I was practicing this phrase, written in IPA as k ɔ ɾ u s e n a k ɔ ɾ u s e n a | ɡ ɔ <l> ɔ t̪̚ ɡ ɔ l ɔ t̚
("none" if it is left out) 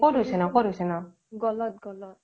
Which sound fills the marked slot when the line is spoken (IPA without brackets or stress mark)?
l